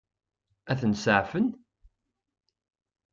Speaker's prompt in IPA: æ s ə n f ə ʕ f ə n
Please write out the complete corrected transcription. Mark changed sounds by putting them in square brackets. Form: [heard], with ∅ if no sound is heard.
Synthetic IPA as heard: æ [θ] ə n [s] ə ʕ f ə n